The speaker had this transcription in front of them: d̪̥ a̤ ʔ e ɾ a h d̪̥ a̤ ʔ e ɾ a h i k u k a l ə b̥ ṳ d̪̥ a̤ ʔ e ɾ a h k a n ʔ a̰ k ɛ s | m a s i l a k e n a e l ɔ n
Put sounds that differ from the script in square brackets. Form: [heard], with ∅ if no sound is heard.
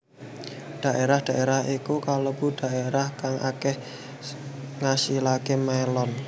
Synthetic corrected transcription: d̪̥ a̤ ʔ e ɾ a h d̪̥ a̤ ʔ e ɾ a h i k u k a l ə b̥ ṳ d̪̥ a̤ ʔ e ɾ a h k a [ŋ] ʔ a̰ k ɛ [h] | [ŋ] a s i l a k e [m] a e l ɔ n